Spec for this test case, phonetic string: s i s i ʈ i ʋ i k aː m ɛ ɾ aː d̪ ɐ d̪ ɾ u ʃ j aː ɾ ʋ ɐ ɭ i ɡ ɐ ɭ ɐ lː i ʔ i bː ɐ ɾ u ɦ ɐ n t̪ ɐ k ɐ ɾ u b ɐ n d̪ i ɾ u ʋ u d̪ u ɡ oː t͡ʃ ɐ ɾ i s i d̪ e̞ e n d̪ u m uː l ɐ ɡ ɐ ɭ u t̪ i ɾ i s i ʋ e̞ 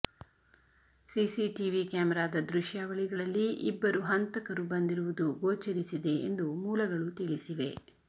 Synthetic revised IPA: s i s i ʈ i ʋ i k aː m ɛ ɾ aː d̪ ɐ d̪ ɾ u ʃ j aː ʋ ɐ ɭ i ɡ ɐ ɭ ɐ lː i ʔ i bː ɐ ɾ u ɦ ɐ n t̪ ɐ k ɐ ɾ u b ɐ n d̪ i ɾ u ʋ u d̪ u ɡ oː t͡ʃ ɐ ɾ i s i d̪ e̞ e n d̪ u m uː l ɐ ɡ ɐ ɭ u t̪ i ɭ i s i ʋ e̞